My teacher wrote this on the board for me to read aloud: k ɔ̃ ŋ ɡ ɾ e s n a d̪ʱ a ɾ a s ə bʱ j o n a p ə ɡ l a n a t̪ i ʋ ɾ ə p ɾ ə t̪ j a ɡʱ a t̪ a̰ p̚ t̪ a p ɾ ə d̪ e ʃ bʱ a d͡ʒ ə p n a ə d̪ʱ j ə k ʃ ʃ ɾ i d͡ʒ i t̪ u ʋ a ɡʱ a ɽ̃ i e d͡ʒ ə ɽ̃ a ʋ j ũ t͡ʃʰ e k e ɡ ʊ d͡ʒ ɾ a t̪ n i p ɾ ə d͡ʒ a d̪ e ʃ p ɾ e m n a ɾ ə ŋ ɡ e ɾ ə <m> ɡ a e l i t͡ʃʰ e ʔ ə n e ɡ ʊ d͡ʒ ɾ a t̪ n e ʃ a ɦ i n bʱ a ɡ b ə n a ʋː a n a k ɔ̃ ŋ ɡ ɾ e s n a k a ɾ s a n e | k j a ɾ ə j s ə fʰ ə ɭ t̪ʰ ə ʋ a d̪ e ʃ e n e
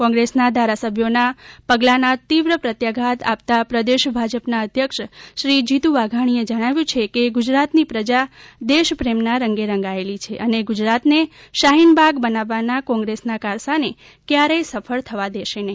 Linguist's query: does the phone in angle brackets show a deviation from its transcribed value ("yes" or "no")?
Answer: yes